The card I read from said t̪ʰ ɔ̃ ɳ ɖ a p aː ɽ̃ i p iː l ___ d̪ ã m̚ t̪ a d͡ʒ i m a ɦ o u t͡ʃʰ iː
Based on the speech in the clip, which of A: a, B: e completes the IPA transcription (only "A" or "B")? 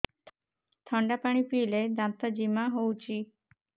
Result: B